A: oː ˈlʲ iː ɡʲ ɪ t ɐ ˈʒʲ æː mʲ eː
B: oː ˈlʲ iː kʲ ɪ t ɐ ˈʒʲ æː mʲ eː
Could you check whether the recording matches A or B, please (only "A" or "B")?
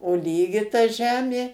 A